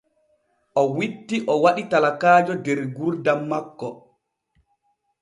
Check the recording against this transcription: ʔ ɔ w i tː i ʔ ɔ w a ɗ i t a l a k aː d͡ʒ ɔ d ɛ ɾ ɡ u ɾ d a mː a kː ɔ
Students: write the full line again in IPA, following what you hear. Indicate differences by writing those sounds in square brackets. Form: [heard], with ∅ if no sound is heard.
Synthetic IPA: ʔ ɔ w i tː i ʔ ɔ w a ɗ i t a l a k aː d͡ʒ ɔ d ɛ ɾ ɡ u ɾ d a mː a kː ɔ